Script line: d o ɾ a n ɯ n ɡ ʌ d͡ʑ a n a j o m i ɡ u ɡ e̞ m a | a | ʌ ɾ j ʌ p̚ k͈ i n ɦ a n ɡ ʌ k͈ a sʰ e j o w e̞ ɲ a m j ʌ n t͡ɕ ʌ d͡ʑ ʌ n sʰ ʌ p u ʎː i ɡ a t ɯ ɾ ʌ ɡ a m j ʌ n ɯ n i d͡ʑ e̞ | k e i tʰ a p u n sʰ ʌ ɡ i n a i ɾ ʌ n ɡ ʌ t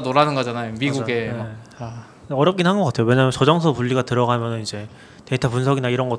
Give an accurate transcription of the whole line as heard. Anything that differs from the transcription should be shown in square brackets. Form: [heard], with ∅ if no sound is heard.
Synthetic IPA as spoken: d o ɾ a n ɯ n ɡ ʌ d͡ʑ a n a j o m i ɡ u ɡ e̞ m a | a | ʌ ɾ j ʌ p̚ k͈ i n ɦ a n ɡ ʌ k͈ a [tʰ] e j o w e̞ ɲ a m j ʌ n t͡ɕ ʌ d͡ʑ ʌ [ŋ] sʰ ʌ p u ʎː i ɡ a t ɯ ɾ ʌ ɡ a m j ʌ n ɯ n i d͡ʑ e̞ | [t] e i tʰ a p u n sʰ ʌ ɡ i n a i ɾ ʌ n ɡ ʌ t